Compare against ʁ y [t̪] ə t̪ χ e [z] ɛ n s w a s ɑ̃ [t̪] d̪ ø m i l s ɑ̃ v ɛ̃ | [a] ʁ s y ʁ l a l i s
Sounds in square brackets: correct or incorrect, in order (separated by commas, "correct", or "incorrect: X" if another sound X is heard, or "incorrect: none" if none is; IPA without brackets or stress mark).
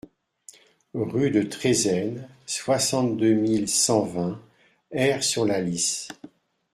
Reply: incorrect: d̪, correct, correct, incorrect: ɛ